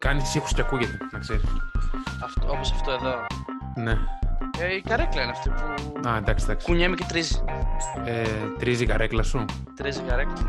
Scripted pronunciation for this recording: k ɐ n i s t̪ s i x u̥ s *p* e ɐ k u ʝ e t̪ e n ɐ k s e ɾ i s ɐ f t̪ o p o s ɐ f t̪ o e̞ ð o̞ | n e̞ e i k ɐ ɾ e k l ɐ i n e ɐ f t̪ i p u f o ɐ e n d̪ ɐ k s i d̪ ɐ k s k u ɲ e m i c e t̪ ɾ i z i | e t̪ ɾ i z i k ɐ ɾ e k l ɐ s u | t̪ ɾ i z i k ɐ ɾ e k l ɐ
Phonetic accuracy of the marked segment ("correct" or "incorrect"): incorrect